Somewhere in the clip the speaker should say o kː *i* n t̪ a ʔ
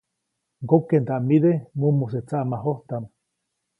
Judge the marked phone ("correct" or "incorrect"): incorrect